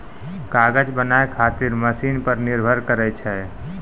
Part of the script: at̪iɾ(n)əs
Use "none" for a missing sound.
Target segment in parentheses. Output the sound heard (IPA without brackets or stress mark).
m